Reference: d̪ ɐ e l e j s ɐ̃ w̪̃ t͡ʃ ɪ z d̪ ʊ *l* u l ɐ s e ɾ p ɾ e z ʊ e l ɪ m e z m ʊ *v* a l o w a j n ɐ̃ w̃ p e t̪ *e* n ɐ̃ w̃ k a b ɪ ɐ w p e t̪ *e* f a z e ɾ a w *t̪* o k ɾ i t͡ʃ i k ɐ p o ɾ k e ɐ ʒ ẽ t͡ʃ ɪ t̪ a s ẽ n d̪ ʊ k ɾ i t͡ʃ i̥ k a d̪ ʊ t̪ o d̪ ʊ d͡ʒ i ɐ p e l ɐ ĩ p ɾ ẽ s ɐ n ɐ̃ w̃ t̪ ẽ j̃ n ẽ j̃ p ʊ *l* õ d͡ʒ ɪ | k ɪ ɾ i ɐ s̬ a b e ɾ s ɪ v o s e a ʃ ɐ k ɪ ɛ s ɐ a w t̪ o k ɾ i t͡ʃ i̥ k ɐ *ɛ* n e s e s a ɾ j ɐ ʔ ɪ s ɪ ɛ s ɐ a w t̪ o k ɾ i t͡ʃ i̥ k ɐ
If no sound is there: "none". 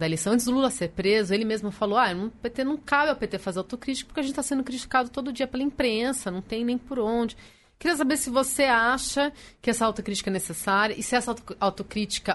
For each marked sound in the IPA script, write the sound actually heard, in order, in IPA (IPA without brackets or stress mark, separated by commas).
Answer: l, f, e, e, t̪, ɾ, ɛ